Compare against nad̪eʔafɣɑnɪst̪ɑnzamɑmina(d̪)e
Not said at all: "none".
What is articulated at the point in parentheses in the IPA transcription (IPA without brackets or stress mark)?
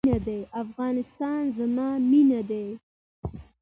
d̪